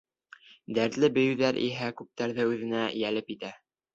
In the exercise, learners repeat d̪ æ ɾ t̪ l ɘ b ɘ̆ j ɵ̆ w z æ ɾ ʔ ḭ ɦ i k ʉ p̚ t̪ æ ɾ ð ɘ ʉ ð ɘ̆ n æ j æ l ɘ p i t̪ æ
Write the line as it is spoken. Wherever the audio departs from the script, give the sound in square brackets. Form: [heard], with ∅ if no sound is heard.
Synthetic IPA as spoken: d̪ æ ɾ t̪ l ɘ b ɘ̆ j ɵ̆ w [ð] æ ɾ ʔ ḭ ɦ [æ] k ʉ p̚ t̪ æ ɾ ð ɘ ʉ ð ɘ̆ n æ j æ l ɘ p i t̪ æ